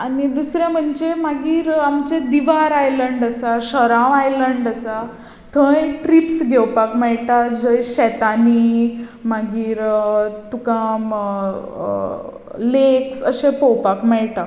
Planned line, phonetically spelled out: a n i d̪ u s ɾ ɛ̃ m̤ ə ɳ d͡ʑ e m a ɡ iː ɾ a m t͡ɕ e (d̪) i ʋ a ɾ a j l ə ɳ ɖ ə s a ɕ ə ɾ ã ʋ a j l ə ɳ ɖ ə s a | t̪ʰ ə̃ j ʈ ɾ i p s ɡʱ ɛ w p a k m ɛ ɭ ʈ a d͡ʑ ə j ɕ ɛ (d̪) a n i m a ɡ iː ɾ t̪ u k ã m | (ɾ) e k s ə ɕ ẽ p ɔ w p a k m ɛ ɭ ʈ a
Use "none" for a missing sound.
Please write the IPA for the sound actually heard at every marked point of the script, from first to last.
d̪, t̪, l

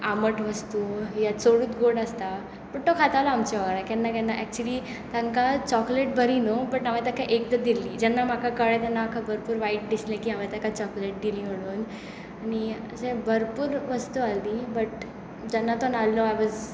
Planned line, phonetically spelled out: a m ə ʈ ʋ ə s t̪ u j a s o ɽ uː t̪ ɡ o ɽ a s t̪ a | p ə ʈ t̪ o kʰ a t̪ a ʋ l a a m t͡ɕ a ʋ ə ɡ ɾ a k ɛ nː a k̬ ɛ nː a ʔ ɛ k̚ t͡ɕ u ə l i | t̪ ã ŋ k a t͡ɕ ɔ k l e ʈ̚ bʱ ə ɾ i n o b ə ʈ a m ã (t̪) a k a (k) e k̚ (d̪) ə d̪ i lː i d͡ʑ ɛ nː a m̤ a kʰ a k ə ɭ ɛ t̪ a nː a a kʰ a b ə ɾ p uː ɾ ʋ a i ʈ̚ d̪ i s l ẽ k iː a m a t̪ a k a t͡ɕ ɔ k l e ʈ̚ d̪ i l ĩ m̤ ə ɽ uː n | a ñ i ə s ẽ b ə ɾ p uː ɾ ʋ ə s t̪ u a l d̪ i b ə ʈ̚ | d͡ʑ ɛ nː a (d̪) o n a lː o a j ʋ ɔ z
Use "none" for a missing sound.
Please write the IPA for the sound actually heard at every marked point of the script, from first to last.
t̪, ʔ, d̪, t̪

